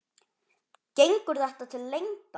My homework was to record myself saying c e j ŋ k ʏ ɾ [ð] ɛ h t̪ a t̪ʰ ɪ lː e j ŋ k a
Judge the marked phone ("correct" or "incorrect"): correct